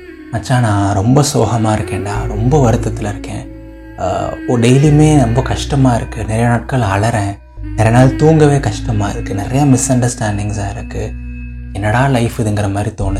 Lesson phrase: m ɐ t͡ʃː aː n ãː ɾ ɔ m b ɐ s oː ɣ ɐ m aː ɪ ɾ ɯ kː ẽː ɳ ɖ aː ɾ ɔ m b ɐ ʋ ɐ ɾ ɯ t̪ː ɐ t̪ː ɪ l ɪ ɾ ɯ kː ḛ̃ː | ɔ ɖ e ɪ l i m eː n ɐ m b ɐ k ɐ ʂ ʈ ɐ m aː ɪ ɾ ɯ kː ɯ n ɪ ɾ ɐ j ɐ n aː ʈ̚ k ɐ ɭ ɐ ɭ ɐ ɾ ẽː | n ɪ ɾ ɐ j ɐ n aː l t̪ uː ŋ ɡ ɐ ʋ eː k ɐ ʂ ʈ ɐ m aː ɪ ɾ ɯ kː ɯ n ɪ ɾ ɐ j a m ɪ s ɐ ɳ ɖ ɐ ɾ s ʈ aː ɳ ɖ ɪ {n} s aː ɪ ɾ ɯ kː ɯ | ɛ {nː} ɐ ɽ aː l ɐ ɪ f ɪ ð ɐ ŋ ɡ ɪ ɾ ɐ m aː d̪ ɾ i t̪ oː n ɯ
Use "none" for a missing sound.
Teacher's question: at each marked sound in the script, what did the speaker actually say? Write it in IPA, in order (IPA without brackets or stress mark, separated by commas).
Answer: ŋ, nː